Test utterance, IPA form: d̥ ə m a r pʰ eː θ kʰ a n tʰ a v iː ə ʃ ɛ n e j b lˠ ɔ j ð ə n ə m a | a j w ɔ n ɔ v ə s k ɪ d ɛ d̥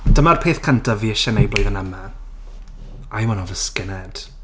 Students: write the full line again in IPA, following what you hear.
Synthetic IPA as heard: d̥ ə m a r pʰ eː θ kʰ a n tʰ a v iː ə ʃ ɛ n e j b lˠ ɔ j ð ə n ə m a | a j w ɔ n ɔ v ə s k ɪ n ɛ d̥

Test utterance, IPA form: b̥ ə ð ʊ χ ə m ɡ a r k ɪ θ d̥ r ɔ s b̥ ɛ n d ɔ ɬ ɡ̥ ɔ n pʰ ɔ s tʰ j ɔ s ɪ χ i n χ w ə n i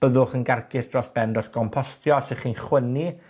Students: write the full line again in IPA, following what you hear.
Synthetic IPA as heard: b̥ ə ð ʊ χ ə n ɡ a r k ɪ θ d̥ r ɔ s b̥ ɛ n d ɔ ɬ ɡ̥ ɔ m pʰ ɔ s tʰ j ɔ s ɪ χ i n χ w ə n i

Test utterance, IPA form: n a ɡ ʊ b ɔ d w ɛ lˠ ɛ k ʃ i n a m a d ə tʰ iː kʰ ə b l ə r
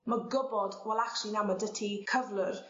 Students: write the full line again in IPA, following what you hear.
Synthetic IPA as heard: m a ɡ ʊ b ɔ d w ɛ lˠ a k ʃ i n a m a d ə tʰ i kʰ ə v l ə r

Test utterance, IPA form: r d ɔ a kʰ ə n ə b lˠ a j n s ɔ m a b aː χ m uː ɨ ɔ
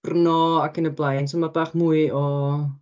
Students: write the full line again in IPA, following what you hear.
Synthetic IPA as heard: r n ɔ a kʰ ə n ə b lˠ a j n s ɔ m a b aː χ m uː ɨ ɔ

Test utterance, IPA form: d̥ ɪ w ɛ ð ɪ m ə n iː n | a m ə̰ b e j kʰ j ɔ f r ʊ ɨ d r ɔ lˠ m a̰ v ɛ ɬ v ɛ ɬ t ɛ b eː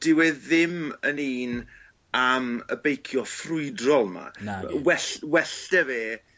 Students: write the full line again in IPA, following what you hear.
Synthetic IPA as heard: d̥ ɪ w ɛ ð ɪ m ə n iː n | a m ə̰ b e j kʰ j ɔ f r ʊ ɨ d r ɔ lˠ m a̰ w ɛ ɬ w ɛ ɬ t ɛ v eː

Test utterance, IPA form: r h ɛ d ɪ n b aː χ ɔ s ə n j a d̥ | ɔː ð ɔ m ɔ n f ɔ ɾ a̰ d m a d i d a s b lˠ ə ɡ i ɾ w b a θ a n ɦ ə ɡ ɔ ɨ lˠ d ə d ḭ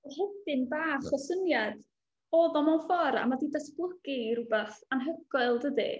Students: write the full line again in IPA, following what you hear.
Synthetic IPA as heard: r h ɛ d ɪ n b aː χ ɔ s ə n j a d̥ | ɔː ð ɔ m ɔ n f ɔ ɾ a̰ m a d i d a s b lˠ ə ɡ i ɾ u b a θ a n ɦ ə ɡ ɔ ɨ lˠ d ə d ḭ

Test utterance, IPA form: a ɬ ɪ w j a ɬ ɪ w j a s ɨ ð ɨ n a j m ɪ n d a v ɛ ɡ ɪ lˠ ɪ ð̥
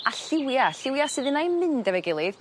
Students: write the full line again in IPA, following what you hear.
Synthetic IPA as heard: a ɬ ɪ w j a ɬ ɪ w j a s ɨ ð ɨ n a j m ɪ n d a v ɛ ɡ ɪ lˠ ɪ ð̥

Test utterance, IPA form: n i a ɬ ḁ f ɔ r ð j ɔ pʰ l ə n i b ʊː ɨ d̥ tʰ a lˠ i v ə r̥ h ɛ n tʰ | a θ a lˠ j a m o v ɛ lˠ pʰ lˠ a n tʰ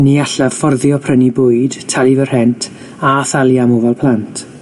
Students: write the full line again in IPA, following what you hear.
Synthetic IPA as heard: n i a ɬ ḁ f ɔ r ð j ɔ pʰ r ə n i b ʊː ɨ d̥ tʰ a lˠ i v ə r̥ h ɛ n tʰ | a θ a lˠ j a m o v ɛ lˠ pʰ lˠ a n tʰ

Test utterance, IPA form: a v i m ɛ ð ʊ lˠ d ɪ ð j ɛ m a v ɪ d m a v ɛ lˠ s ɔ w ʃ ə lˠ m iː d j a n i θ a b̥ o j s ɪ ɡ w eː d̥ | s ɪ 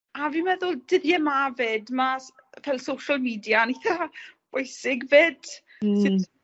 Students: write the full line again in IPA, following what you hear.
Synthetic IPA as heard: a v i m ɛ ð ʊ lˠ d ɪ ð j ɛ m a v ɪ d m a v ɛ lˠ s o w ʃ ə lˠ m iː d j a n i θ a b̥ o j s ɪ ɡ v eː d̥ | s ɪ

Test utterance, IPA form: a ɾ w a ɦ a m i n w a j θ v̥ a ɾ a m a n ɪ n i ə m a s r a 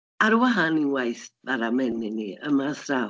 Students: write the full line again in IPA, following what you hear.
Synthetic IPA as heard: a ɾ w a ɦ a n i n w a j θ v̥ a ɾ a m ɛ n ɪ n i ə m a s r a

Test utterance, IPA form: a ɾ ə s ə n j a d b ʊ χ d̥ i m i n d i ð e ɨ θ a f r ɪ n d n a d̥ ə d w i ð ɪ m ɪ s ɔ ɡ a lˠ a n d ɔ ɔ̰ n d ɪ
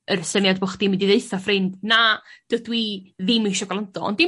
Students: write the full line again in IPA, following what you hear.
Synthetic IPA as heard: ə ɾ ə s ə n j a d b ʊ χ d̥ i m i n d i ð e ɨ θ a f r ɪ n d n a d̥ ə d w i ð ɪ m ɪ ʃ ɔ ɡ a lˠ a n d ɔ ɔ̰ n d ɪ

